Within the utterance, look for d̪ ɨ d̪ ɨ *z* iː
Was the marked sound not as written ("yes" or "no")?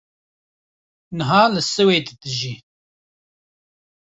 yes